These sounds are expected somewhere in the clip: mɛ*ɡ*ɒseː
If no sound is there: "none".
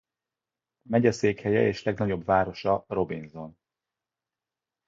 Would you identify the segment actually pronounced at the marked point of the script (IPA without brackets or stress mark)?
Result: ɟ